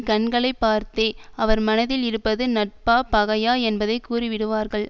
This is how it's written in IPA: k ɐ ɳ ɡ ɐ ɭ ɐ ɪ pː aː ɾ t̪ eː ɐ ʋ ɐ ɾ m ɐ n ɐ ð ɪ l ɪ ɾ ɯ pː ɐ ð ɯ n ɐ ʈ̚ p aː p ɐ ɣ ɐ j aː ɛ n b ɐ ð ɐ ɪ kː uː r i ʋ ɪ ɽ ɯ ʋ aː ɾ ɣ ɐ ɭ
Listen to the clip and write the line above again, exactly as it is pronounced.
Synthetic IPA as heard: k ɐ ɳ ɡ ɐ ɭ ɐ ɪ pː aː ɾ t̪ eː ɐ ʋ ɐ ɾ m ɐ n ɐ ð ɪ l ɪ ɾ ɯ pː ɐ ð ɯ n ɐ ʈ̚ p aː p ɐ ɣ ɐ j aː ɛ n b ɐ ð ɐ ɪ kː uː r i ʋ ɪ ɽ ɯ ʋ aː ɾ ɣ ɐ ɭ